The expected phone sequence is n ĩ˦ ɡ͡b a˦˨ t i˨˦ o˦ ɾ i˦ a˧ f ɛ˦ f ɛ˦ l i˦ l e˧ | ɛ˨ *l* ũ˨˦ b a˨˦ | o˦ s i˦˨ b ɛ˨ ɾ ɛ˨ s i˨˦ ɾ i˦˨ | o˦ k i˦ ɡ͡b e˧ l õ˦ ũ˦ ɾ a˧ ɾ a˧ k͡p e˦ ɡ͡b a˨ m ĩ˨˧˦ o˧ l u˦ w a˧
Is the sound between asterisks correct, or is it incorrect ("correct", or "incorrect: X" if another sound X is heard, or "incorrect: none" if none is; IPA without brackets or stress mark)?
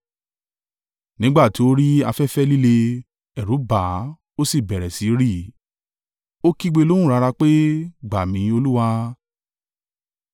incorrect: ɾ